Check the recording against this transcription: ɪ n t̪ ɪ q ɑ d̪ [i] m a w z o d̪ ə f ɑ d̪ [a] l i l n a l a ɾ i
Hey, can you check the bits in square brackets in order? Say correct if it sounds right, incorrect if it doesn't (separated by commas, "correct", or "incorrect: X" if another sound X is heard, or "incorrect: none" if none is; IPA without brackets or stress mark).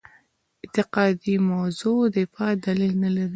correct, correct